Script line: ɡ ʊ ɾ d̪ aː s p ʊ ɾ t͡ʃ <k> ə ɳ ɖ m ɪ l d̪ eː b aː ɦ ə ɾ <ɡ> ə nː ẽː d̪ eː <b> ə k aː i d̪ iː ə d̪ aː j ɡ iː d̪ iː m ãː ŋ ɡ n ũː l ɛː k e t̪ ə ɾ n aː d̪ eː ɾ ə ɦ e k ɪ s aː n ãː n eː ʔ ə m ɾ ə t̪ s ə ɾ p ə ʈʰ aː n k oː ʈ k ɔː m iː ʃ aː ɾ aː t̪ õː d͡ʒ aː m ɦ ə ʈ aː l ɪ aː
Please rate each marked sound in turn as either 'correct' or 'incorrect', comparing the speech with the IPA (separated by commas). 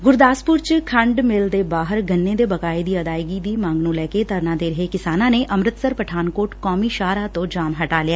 incorrect, correct, correct